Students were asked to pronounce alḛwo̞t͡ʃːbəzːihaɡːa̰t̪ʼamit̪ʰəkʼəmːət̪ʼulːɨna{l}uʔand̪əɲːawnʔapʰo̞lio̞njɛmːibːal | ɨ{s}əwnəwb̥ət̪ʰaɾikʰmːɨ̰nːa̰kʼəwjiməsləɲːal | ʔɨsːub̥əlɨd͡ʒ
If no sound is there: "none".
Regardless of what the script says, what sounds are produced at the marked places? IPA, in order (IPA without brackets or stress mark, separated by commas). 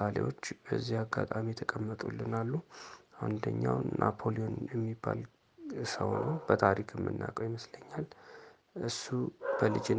lː, s